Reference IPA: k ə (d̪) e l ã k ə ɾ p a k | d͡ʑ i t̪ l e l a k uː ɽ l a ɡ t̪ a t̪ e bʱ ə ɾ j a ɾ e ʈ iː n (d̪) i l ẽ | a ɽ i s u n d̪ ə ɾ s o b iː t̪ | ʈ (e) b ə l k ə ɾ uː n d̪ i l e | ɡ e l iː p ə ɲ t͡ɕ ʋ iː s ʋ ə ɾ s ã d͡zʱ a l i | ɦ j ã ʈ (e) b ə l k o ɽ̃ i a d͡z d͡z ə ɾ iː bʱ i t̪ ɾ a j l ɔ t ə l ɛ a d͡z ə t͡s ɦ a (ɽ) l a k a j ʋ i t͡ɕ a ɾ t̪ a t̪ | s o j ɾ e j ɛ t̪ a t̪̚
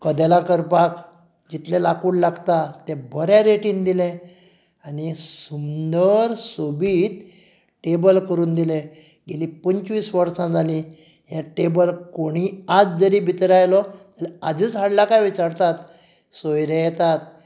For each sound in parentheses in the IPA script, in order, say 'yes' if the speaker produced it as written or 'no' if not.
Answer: yes, yes, yes, yes, yes

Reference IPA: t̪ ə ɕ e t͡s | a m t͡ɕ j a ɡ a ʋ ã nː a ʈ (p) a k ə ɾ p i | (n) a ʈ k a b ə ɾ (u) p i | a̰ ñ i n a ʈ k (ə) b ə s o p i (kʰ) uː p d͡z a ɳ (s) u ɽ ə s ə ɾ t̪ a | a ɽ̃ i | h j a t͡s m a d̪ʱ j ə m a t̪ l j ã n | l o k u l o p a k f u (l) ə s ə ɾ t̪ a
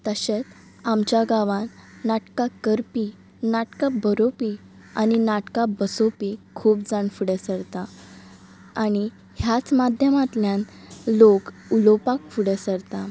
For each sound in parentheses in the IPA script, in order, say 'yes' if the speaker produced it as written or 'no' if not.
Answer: no, yes, no, no, yes, no, no

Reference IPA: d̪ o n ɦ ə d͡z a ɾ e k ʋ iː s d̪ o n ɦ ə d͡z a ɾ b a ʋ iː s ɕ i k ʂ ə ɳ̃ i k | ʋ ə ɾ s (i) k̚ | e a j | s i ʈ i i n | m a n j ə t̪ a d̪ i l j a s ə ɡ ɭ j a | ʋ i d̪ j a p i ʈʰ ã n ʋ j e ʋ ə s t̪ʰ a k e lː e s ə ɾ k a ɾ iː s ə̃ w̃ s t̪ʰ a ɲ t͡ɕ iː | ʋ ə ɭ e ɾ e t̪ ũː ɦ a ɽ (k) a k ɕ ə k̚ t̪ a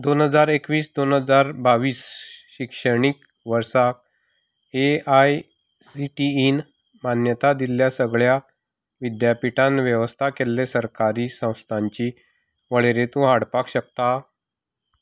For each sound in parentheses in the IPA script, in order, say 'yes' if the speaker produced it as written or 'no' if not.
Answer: no, no

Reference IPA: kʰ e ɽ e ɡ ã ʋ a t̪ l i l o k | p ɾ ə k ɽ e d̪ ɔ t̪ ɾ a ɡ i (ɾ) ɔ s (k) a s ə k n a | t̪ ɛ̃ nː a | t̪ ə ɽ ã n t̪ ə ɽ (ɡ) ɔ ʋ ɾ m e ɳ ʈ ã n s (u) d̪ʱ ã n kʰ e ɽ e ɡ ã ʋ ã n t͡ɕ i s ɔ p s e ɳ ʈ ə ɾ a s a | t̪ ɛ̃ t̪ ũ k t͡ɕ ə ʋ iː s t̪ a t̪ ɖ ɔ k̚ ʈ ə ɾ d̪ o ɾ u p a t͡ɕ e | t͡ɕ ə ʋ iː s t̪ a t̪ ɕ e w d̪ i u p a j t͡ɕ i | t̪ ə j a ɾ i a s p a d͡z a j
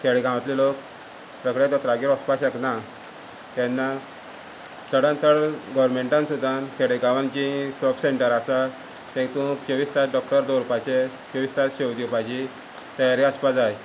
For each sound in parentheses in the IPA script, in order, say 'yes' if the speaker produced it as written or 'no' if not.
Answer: yes, no, yes, yes

